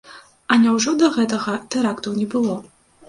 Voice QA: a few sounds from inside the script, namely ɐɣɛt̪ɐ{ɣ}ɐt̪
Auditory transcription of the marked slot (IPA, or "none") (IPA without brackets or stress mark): ɣ